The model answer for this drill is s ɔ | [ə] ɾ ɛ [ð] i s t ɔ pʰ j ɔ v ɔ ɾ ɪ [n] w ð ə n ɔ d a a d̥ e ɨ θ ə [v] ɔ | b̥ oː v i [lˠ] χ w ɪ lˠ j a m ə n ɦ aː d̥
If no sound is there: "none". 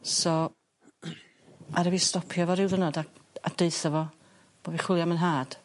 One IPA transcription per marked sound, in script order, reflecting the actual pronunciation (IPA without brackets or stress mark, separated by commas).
a, v, none, v, none